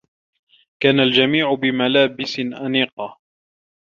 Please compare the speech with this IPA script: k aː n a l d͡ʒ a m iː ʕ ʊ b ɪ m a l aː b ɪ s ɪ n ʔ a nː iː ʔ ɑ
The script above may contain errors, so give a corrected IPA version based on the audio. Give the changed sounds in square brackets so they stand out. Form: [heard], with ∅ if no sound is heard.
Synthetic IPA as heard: k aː n a l d͡ʒ a m iː ʕ ʊ b ɪ m a l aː b ɪ s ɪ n ʔ a [n] iː [q] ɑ